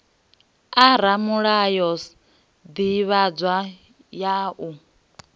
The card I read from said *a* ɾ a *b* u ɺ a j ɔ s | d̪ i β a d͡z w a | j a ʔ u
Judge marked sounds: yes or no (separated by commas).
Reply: yes, no